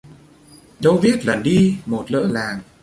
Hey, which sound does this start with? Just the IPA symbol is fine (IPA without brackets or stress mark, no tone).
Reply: ɗ